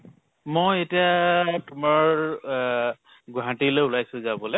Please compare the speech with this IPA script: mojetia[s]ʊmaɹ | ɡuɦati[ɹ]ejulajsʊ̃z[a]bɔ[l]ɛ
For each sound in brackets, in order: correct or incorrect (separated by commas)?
incorrect, incorrect, correct, correct